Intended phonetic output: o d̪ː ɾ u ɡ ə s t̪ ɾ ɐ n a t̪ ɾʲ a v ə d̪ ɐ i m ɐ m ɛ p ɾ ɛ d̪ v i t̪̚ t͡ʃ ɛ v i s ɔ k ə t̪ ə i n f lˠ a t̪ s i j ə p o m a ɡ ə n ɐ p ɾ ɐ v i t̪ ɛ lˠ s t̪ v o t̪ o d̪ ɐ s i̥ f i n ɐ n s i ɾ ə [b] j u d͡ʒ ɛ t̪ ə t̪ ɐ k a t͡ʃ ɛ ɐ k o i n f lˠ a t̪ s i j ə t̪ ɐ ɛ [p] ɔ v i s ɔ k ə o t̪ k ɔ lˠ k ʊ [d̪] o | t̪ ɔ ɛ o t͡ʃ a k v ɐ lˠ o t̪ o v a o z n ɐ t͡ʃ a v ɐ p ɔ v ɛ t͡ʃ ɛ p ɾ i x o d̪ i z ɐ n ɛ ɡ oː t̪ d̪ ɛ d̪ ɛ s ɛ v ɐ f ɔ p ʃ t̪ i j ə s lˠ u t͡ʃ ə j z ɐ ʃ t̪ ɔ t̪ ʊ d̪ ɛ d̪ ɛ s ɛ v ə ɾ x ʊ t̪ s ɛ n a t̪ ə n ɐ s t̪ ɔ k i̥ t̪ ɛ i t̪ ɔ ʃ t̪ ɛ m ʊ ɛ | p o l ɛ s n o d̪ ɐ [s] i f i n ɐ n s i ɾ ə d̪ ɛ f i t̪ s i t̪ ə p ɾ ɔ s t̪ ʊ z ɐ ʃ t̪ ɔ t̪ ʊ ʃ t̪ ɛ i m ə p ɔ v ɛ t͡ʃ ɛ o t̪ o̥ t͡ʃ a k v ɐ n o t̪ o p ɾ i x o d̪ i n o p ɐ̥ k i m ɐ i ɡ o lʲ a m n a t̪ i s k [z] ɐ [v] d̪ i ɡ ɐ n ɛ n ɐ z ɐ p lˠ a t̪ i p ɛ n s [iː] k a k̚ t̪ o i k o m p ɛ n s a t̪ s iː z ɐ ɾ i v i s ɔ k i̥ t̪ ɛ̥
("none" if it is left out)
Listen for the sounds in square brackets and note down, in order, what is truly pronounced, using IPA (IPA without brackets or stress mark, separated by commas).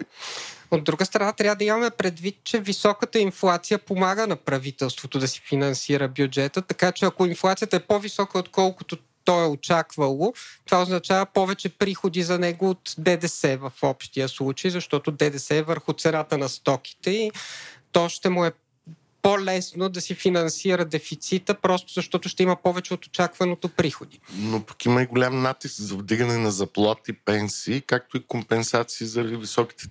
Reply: b, p, t̪, s, z, v, iː